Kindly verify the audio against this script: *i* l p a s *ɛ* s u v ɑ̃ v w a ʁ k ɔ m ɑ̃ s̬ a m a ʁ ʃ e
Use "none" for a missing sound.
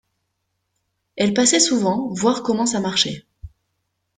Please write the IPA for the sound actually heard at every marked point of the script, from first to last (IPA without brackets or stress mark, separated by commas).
ɛ, ɛ